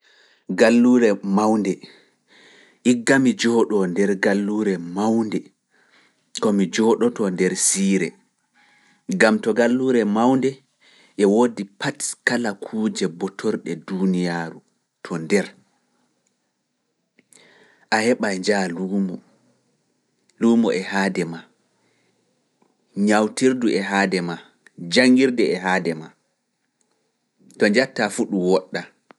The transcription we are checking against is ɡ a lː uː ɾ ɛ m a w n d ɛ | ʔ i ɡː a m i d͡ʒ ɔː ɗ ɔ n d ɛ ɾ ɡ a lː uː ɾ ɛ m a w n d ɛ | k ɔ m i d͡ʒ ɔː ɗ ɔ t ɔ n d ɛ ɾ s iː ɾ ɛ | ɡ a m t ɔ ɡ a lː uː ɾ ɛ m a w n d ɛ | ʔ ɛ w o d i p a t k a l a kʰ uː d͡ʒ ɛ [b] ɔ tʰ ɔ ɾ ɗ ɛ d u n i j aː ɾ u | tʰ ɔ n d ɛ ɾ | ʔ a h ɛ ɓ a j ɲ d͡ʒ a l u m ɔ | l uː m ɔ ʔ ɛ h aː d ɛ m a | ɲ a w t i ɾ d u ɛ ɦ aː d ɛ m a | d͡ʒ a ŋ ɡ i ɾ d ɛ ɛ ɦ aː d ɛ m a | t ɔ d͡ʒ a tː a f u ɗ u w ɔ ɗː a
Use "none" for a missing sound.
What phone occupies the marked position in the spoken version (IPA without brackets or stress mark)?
b